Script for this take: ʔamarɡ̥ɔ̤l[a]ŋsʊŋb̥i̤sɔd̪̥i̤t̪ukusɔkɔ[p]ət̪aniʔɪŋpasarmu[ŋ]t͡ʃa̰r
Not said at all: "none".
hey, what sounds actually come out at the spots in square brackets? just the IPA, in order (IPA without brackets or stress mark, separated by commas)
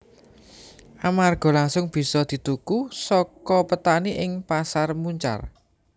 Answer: a, p, ɲ